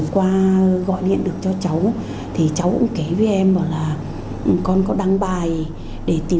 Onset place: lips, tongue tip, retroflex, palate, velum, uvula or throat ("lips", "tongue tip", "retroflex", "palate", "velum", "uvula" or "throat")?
velum